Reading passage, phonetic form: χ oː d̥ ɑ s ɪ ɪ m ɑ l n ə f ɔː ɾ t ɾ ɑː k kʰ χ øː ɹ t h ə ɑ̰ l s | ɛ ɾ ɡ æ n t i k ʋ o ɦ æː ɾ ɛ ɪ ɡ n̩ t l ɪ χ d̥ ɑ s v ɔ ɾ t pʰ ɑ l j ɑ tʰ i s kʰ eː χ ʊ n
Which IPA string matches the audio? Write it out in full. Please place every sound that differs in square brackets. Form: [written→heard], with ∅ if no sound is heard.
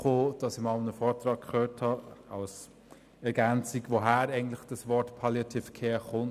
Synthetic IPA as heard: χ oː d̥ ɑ s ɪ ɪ m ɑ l n ə f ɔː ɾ t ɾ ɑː k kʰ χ øː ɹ t h [ə→ɑ] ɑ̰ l s | ɛ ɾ ɡ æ n [t→t͡s] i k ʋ o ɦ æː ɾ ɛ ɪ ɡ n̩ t l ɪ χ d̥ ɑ s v ɔ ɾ t pʰ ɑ l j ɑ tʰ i [s→f] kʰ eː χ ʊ n